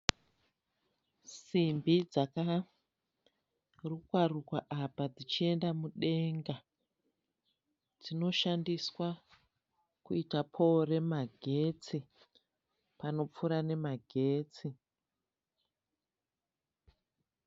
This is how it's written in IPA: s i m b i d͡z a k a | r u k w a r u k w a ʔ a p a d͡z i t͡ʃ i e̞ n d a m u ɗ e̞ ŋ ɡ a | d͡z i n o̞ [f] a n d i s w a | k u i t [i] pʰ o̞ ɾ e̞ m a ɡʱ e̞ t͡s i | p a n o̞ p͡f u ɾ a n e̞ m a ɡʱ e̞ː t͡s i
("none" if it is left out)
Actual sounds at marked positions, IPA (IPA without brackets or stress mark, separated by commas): ʃ, a